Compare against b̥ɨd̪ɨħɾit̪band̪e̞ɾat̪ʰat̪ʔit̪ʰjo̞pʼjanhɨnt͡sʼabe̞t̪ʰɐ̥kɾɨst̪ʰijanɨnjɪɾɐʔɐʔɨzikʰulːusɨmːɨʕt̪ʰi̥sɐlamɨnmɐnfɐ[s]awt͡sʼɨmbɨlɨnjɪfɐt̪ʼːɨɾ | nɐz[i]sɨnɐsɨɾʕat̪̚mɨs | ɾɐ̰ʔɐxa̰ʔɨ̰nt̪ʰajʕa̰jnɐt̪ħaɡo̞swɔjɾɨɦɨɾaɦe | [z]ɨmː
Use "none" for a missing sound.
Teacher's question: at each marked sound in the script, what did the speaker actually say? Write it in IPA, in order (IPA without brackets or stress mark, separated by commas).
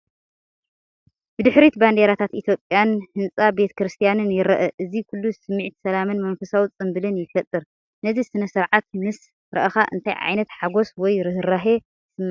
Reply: s, i, s